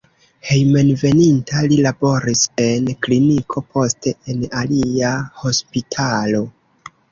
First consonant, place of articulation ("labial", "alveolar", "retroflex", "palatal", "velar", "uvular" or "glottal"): glottal